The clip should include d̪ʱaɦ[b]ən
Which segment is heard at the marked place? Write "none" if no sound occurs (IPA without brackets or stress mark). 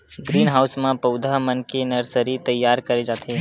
m